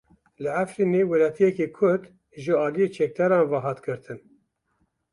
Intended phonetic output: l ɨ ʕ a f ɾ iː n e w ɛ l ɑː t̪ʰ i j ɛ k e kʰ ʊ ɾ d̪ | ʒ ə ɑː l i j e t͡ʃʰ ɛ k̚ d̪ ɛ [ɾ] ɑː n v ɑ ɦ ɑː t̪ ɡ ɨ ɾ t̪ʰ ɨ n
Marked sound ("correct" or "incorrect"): correct